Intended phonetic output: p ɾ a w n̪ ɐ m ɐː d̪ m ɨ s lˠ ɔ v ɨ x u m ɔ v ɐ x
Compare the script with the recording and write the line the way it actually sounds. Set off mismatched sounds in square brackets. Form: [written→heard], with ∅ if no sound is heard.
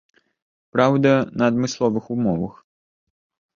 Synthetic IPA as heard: p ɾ a w [n̪→d̪] ɐ [m→n] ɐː d̪ m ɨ s lˠ ɔ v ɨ x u m ɔ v ɐ x